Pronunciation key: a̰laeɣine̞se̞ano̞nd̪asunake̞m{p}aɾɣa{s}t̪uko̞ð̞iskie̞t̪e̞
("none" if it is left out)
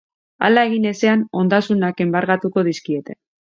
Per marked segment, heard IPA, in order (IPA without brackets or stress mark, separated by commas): b, none